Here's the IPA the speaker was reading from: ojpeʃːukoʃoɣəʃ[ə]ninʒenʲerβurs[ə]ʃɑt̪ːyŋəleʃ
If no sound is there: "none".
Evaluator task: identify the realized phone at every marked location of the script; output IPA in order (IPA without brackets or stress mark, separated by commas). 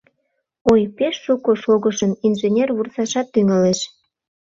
ə, ɑ